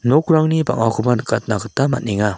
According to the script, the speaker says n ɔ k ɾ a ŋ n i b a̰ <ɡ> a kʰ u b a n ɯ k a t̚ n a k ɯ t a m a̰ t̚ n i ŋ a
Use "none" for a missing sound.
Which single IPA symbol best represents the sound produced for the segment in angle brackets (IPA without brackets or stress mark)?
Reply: ŋ